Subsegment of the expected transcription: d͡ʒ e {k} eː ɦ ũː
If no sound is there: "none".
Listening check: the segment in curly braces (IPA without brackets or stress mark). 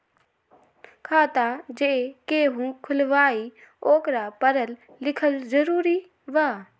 k